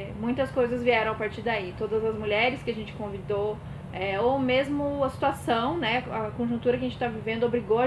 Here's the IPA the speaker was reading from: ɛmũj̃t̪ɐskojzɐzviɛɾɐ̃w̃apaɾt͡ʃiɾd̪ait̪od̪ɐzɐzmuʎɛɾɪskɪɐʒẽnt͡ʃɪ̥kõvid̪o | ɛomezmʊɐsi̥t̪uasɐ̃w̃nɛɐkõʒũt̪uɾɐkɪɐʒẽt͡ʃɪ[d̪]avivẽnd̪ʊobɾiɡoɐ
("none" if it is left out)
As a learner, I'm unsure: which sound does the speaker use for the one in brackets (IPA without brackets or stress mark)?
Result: t̪